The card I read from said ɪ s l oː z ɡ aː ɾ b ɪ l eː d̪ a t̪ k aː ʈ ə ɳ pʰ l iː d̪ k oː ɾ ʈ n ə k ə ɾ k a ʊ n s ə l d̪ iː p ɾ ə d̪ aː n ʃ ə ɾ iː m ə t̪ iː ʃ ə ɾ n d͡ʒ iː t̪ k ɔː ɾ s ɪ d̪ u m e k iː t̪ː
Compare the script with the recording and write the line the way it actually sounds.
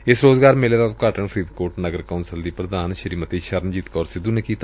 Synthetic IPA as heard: ɪ s ɾ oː z ɡ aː ɾ m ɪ l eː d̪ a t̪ k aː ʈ ə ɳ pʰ ɾ iː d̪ k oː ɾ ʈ n ə ɡ ə ɾ k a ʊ n s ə l d̪ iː p ɾ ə d̪ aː n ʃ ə ɾ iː m ə t̪ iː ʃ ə ɾ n d͡ʒ iː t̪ k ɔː ɾ s ɪ d̪ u n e k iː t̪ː